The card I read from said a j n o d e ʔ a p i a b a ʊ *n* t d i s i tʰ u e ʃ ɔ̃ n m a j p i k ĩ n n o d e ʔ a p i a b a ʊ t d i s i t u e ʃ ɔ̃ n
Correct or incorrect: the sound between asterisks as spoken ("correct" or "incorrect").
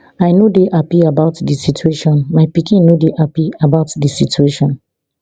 incorrect